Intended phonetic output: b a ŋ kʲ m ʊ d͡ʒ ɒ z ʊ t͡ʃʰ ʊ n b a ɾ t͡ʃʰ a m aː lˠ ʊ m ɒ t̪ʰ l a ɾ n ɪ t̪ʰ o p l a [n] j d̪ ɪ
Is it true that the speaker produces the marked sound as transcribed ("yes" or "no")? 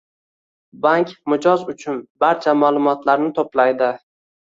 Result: no